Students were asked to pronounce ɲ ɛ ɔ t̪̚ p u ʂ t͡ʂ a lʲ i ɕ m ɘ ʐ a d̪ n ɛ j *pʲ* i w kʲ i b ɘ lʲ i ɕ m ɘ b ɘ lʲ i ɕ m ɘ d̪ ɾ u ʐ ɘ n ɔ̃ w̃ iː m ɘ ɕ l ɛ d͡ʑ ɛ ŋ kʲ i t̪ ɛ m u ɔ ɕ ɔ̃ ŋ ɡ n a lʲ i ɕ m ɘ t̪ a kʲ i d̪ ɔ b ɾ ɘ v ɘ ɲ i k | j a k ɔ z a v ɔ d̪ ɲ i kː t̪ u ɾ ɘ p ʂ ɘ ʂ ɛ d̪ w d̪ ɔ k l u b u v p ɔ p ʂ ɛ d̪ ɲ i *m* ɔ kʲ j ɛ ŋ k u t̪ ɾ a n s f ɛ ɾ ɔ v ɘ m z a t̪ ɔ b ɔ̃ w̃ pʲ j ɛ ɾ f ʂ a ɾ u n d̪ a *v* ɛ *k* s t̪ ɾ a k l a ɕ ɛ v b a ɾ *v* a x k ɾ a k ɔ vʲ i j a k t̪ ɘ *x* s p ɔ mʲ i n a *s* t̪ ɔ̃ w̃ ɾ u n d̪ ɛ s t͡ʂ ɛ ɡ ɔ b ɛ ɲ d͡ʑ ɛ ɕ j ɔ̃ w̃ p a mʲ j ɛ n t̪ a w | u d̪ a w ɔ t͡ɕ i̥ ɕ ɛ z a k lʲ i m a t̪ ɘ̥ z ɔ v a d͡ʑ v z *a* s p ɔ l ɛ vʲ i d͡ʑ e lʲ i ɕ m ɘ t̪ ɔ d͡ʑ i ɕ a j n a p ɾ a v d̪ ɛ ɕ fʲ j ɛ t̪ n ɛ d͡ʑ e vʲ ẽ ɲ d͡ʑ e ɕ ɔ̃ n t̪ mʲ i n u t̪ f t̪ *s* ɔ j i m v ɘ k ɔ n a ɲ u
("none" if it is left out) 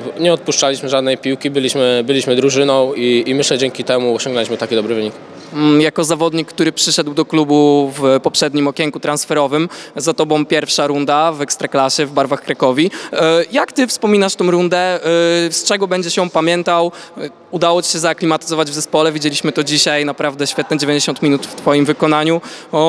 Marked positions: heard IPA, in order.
pʲ, m, v, k, v, f, ʂ, ɛ, f

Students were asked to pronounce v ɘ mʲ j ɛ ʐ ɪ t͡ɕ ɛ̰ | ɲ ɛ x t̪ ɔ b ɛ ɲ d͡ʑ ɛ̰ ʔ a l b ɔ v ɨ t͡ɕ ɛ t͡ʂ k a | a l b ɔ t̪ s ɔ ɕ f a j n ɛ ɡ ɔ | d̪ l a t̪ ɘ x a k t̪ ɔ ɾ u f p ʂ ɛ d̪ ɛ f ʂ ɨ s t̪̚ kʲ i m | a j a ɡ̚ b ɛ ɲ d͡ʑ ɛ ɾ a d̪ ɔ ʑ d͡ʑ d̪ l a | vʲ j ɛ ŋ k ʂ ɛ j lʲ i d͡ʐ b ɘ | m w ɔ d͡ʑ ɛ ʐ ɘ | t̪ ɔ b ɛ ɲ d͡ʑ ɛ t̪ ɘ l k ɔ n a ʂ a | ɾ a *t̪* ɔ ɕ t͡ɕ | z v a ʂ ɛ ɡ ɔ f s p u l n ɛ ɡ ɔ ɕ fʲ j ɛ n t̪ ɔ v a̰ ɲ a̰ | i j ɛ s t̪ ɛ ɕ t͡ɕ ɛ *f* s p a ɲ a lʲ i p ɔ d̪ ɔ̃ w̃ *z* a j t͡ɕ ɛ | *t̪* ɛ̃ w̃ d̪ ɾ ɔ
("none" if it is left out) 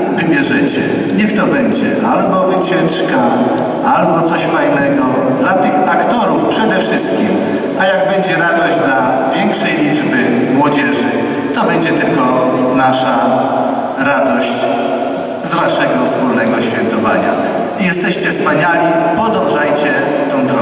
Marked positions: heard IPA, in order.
d̪, f, ʐ, t̪

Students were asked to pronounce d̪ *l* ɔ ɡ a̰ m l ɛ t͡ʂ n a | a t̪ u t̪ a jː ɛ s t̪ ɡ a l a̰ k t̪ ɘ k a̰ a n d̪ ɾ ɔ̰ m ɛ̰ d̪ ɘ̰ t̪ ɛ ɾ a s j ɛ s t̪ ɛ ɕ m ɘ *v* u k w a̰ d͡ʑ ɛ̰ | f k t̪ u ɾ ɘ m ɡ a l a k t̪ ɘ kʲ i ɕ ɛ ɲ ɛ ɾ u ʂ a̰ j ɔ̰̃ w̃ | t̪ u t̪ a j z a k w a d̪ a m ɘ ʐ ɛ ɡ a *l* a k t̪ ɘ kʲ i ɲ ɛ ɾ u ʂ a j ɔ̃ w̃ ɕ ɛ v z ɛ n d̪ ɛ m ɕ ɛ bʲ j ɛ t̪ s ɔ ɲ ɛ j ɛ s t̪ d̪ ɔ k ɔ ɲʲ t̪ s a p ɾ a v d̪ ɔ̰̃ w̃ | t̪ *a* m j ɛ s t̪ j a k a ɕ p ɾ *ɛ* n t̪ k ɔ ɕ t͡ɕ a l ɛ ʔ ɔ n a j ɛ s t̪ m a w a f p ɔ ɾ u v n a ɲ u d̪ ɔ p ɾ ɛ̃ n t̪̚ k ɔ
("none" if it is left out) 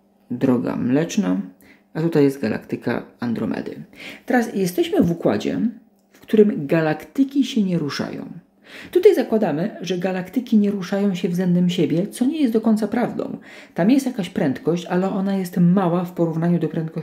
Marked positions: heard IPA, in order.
ɾ, v, l, a, ɛ

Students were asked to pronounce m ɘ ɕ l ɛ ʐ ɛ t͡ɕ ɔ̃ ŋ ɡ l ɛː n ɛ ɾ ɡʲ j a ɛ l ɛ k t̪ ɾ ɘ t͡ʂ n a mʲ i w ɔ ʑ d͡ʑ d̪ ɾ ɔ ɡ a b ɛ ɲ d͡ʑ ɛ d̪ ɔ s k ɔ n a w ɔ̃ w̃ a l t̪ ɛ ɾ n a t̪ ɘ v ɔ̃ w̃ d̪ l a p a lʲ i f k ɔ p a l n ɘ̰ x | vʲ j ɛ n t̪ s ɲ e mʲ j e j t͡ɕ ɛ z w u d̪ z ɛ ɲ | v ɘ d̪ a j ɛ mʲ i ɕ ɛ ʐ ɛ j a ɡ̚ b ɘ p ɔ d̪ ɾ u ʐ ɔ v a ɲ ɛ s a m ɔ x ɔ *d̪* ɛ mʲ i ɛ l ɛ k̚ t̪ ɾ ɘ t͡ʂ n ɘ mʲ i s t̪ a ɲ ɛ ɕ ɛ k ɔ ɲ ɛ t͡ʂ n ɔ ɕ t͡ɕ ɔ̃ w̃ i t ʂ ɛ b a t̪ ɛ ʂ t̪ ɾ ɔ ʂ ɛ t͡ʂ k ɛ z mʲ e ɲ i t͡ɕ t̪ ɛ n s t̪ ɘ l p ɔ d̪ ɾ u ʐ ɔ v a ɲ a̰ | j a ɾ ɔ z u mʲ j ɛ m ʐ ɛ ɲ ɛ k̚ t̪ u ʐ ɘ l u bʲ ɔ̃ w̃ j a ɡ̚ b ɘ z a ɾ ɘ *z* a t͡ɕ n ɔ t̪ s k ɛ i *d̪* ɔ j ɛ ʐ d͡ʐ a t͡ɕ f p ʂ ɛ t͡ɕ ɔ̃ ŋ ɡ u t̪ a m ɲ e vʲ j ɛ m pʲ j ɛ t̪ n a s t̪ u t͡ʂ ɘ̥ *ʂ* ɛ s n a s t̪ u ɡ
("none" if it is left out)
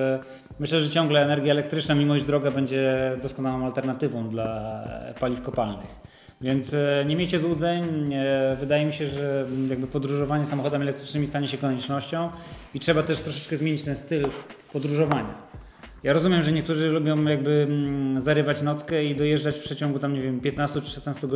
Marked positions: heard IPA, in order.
d̪, v, d̪, ʂ

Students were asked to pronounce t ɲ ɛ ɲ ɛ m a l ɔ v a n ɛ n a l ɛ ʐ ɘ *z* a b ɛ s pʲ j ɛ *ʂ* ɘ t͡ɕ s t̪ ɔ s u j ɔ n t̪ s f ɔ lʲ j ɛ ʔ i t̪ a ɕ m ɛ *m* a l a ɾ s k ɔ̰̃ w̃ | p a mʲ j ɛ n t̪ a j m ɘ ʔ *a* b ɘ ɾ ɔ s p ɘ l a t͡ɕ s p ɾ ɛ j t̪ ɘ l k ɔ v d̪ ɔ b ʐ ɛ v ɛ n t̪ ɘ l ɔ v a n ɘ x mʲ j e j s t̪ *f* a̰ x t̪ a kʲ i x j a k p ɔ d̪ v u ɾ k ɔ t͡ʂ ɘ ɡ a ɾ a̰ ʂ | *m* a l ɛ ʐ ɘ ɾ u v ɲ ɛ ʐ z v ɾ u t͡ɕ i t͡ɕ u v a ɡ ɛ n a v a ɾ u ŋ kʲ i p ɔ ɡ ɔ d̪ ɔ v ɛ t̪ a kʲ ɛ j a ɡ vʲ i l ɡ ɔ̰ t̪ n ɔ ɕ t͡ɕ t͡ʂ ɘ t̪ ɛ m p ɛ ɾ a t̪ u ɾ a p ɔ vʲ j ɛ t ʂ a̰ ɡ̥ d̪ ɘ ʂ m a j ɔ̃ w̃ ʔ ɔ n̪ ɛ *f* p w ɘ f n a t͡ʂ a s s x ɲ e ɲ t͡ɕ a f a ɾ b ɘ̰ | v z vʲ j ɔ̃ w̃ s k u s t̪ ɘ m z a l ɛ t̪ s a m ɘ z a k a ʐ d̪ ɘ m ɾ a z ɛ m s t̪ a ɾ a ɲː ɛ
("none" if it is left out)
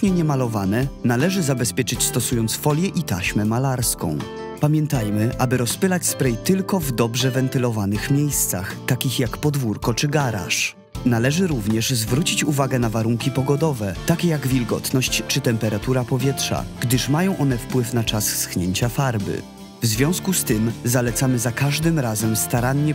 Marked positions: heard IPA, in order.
z, t͡ʂ, m, a, s, n, f

